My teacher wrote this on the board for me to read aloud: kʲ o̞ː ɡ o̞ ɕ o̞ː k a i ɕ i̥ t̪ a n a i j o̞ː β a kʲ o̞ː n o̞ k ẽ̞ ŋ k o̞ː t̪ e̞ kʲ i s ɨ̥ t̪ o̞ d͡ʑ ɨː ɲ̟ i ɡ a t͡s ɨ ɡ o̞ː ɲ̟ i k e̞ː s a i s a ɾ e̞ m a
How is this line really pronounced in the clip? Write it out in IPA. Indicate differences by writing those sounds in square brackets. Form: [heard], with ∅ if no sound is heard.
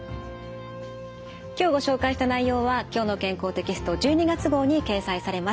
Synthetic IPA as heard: kʲ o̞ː ɡ o̞ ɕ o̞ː k a i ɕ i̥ t̪ a n a i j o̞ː β a kʲ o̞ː n o̞ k ẽ̞ ŋ k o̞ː t̪ e̞ kʲ i s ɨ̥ t̪ o̞ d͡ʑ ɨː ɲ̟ i ɡ a t͡s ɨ ɡ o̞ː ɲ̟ i k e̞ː s a i s a ɾ e̞ m a